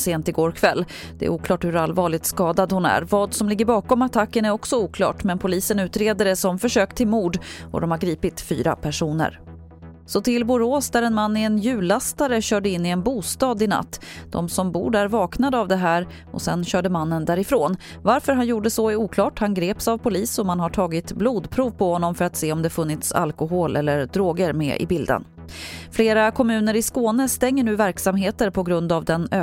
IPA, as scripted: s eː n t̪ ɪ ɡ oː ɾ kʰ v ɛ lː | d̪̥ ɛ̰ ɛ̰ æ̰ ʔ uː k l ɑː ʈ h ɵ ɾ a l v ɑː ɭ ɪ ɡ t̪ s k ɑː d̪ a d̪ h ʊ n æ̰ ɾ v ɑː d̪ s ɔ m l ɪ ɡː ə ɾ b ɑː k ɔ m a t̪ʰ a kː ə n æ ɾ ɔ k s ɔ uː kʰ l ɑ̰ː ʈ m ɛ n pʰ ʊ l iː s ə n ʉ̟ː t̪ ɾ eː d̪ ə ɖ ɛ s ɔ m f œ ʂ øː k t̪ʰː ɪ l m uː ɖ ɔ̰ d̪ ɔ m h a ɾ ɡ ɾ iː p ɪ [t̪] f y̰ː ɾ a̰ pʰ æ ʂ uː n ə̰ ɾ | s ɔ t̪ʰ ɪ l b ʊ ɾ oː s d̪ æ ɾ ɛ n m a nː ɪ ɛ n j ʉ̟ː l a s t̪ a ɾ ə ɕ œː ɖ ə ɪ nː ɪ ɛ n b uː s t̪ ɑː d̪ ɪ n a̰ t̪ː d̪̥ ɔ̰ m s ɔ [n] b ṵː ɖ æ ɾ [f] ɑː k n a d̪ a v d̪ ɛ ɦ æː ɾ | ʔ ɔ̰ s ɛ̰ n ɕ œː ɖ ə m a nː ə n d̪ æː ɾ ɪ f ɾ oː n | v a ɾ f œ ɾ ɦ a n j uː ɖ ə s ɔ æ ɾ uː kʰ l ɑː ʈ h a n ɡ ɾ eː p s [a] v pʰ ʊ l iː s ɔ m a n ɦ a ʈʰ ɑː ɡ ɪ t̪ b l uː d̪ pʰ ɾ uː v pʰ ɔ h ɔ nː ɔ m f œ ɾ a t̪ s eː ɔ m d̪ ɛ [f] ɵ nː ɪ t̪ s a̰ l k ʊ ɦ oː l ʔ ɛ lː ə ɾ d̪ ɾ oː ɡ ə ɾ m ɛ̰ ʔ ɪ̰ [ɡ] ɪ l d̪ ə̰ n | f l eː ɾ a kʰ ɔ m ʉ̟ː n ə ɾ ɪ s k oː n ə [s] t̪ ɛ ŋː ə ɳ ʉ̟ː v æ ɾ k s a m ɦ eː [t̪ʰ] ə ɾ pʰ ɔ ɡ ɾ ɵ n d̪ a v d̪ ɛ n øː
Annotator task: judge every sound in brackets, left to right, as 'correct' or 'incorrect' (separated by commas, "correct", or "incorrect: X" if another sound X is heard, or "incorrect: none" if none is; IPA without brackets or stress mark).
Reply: correct, incorrect: m, incorrect: v, correct, correct, incorrect: b, correct, incorrect: t̪